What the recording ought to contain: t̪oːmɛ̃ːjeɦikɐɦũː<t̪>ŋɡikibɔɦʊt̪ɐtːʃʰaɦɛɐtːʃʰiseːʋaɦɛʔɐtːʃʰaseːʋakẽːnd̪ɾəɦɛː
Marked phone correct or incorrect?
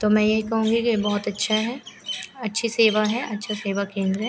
incorrect